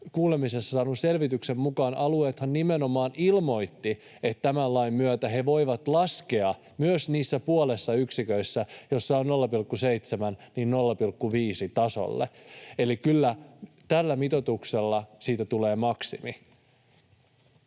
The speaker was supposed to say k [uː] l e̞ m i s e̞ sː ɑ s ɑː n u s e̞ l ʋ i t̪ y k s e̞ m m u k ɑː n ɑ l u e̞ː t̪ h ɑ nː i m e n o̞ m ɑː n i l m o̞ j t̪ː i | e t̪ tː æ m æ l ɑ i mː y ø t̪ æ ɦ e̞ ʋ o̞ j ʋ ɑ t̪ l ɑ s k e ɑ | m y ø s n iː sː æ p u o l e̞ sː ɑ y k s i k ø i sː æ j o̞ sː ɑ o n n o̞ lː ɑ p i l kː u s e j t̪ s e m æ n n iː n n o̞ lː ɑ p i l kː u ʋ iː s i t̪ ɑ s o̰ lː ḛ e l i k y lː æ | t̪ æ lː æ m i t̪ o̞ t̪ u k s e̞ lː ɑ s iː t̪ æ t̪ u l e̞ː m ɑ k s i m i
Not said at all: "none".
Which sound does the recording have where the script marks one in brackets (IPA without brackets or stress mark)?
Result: uː